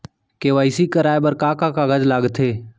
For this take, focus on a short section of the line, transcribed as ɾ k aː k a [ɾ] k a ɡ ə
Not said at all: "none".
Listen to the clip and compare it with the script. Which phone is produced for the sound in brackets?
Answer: none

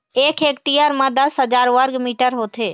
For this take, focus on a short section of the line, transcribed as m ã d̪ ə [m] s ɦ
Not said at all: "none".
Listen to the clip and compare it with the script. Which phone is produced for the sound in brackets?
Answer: none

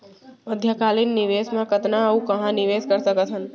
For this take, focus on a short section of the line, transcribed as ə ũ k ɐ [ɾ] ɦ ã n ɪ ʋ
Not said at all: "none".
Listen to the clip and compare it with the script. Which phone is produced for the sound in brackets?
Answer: none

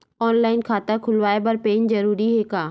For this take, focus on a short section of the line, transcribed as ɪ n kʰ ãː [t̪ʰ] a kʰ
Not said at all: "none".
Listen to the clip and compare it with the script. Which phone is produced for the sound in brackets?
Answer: t̪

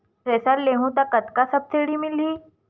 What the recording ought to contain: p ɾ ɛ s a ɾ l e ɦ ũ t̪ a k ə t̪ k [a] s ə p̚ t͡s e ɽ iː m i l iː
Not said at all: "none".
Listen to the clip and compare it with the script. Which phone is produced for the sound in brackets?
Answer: a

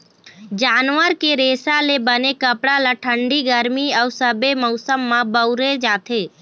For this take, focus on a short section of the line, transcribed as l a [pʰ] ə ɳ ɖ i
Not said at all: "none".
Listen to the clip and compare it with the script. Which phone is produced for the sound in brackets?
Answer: ʈʰ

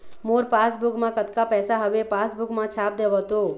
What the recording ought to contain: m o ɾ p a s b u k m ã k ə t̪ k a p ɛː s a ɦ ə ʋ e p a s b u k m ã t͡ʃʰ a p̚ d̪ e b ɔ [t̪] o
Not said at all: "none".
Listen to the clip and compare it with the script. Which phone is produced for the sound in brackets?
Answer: t̪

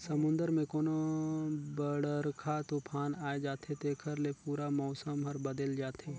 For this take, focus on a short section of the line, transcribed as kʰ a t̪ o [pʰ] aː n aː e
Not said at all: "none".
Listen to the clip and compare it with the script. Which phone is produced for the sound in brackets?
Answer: pʰ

